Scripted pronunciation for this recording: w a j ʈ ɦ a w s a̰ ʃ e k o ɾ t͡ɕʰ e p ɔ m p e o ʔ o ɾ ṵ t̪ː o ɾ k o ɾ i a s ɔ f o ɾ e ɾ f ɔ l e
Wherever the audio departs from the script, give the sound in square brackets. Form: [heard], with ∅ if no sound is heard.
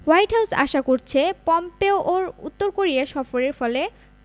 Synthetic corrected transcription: w a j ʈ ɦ a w s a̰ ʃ [a] k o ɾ t͡ɕʰ e p ɔ m p e o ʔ o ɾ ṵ t̪ː o ɾ k o ɾ i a [ʃ] ɔ f o ɾ e ɾ f ɔ l e